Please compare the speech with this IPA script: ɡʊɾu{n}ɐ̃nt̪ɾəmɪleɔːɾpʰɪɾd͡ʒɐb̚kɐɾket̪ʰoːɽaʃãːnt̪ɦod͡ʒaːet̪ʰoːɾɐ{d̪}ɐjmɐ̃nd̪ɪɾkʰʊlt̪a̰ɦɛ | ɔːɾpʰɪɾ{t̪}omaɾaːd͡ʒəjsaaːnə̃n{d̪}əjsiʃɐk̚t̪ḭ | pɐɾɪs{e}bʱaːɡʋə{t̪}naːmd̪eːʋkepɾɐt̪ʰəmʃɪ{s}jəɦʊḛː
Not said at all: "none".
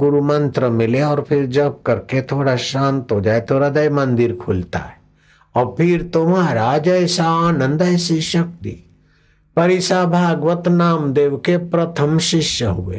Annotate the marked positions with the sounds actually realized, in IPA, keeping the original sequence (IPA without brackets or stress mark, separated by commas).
m, d̪, t̪, d̪, a, t̪, ʃ